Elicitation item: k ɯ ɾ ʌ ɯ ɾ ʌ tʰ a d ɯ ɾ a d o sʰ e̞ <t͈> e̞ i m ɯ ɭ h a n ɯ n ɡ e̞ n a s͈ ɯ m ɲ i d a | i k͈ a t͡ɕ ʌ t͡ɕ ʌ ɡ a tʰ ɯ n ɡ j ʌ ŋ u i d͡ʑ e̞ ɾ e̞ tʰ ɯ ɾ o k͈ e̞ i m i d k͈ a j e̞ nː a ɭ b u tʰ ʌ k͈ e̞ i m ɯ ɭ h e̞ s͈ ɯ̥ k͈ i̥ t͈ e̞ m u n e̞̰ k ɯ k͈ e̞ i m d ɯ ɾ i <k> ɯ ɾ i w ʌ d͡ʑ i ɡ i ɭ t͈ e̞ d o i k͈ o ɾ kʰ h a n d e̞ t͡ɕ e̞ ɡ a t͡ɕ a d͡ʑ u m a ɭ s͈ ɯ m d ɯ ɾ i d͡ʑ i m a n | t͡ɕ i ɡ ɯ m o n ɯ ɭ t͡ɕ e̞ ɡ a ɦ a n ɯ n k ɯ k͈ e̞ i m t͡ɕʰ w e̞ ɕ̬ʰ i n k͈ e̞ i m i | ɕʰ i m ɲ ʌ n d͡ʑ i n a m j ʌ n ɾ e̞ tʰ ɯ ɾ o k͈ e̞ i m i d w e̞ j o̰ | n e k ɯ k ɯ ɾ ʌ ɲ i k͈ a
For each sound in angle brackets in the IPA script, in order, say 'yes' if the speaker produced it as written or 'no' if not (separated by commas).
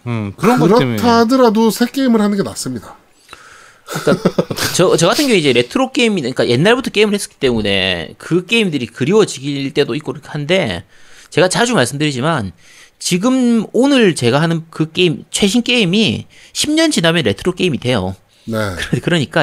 no, yes